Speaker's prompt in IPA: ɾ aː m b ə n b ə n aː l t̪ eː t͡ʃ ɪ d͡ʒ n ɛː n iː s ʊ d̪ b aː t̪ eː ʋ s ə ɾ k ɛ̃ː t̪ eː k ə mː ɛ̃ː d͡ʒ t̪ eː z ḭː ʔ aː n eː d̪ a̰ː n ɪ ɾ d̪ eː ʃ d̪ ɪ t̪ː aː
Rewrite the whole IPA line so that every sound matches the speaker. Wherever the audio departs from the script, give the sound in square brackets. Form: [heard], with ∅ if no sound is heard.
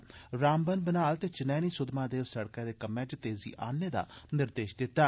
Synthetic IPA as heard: ɾ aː m b ə n b ə n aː l t̪ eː t͡ʃ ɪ [∅] n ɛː n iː s ʊ d̪ [m] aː [d̪] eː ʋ s ə [ɽ] k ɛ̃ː [d̪] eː k ə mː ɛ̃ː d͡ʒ t̪ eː z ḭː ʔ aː n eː d̪ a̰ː n ɪ ɾ d̪ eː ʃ d̪ ɪ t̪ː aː

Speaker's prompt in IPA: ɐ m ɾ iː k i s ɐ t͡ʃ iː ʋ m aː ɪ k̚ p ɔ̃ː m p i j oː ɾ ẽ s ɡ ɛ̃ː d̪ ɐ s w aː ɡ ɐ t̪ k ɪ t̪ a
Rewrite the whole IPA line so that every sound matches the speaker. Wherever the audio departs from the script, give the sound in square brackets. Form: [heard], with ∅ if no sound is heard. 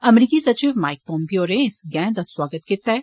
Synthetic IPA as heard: ɐ m ɾ iː k i s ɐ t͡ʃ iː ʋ m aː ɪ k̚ p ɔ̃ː m p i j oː ɾ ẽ s ɡ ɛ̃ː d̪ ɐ s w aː ɡ [ə] t̪ k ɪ t̪ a

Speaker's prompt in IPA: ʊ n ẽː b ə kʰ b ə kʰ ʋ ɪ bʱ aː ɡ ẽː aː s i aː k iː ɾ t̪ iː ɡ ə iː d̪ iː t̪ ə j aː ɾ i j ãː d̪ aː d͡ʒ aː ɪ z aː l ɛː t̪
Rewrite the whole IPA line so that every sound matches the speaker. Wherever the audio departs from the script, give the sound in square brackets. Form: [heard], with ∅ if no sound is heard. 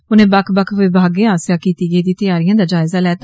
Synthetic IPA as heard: ʊ n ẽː b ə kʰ b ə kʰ ʋ ɪ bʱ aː ɡ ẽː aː s [j] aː k iː [∅] t̪ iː ɡ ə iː d̪ iː t̪ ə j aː ɾ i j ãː d̪ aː d͡ʒ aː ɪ z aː l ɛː t̪

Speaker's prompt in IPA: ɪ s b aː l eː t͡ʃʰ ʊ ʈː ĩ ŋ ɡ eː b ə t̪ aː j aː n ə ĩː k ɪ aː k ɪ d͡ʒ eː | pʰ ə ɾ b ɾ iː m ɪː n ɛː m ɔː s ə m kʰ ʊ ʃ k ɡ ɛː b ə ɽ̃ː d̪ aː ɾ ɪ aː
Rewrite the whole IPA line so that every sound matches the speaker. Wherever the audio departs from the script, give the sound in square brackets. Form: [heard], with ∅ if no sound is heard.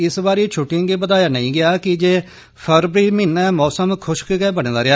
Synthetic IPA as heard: ɪ s b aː [ɾ] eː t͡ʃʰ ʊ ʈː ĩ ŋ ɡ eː b ə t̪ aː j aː n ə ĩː [ɡ] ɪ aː k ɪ d͡ʒ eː | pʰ ə ɾ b ɾ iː m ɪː n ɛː m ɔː s ə m kʰ ʊ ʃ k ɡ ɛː b ə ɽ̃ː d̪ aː ɾ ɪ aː

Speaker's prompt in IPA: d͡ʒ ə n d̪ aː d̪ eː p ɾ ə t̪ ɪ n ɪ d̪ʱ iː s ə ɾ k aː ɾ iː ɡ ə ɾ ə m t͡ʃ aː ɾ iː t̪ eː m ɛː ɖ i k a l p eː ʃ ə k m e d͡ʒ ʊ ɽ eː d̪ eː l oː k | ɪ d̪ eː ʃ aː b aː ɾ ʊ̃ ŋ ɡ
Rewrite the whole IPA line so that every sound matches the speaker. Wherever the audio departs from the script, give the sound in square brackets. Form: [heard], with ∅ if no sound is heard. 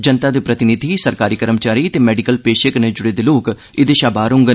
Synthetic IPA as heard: d͡ʒ ə n [t̪] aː d̪ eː p ɾ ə t̪ ɪ n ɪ d̪ʱ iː s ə ɾ k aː ɾ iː [k] ə ɾ ə m t͡ʃ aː ɾ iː t̪ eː m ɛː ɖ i k [ə] l p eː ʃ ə k [n] e d͡ʒ ʊ ɽ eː d̪ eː l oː k | ɪ d̪ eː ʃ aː b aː ɾ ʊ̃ ŋ ɡ

